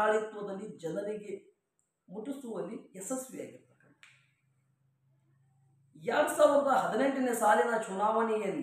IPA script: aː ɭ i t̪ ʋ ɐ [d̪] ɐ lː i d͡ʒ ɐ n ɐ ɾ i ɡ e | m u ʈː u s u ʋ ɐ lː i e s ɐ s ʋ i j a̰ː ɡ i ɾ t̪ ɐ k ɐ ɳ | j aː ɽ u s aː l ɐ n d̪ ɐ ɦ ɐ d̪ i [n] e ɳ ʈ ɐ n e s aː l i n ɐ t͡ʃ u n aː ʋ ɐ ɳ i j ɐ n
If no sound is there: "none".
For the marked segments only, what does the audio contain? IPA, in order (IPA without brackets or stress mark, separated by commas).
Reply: d̪, n